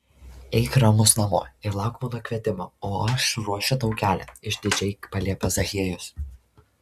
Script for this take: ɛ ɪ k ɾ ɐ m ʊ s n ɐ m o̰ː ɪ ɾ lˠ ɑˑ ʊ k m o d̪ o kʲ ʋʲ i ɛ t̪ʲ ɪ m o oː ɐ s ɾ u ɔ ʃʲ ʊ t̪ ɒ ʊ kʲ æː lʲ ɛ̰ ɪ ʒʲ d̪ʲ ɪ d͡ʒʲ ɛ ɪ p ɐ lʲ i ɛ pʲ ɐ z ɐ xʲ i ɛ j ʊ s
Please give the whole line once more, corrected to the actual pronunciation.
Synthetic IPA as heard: ɛ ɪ k ɾ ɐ m ʊ s n ɐ m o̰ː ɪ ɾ lˠ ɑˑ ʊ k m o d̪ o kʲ ʋʲ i ɛ t̪ʲ ɪ m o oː ɐ ʃ ɾ u ɔ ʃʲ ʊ t̪ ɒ ʊ kʲ æː lʲ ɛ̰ ɪ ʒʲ d̪ʲ ɪ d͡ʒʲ ɛ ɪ p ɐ lʲ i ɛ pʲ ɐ z ɐ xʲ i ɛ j ʊ s